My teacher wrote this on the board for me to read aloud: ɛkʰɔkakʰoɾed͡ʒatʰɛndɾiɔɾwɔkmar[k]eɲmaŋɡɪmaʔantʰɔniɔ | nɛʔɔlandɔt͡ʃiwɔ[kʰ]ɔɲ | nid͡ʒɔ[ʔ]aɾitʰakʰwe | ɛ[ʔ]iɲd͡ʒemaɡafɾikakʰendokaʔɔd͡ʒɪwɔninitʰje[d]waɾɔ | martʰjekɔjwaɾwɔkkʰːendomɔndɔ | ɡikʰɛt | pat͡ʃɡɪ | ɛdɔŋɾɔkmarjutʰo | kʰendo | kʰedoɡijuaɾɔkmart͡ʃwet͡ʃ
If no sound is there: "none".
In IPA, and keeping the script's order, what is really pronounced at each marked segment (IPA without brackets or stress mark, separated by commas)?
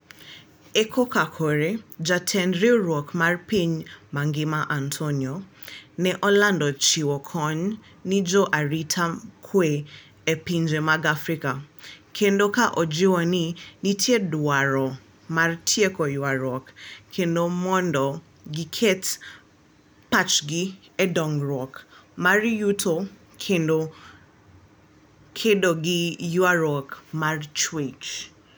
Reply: p, kʰ, ʔ, p, d